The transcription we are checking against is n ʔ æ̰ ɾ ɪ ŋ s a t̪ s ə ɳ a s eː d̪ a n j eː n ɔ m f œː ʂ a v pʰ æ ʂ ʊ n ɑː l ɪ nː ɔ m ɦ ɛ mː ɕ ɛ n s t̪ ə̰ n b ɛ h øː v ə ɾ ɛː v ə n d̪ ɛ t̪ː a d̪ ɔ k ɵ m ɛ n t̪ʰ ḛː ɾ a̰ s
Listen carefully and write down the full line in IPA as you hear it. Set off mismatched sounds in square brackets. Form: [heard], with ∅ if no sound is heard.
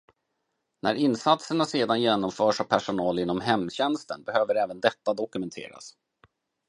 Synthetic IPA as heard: n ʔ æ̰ ɾ ɪ [n] s a t̪ s ə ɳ a s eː d̪ a n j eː n ɔ m f œː ʂ a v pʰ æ ʂ ʊ n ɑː l ɪ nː ɔ m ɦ ɛ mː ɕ ɛ n s t̪ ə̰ n b ɛ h øː v ə ɾ ɛː v ə n d̪ ɛ t̪ː a d̪ ɔ k ɵ m ɛ n t̪ʰ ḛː ɾ a̰ s